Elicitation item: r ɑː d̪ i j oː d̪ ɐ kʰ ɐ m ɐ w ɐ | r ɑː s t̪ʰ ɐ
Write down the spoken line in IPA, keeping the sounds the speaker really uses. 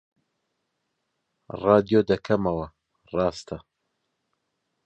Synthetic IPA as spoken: r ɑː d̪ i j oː d̪ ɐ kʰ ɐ m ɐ w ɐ | r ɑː s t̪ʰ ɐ